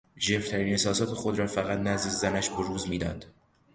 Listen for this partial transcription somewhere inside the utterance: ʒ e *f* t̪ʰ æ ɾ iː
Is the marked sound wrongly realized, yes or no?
no